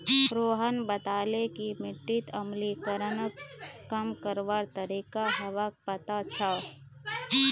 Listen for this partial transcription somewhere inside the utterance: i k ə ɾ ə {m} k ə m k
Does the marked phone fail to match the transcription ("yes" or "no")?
yes